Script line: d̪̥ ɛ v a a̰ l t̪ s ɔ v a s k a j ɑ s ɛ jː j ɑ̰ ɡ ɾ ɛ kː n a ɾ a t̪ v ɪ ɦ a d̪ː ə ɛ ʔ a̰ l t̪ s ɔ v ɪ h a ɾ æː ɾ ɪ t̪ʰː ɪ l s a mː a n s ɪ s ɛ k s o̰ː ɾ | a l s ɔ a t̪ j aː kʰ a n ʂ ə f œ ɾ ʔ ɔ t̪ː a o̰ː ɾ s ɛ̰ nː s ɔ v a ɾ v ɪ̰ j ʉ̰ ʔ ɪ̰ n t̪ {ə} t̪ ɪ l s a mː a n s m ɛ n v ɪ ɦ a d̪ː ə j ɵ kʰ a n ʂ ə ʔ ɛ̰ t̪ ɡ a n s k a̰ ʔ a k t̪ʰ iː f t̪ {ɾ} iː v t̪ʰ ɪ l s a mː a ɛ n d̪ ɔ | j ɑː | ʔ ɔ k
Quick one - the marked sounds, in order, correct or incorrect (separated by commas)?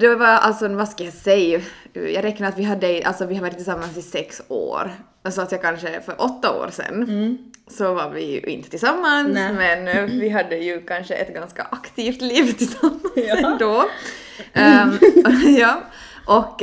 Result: correct, incorrect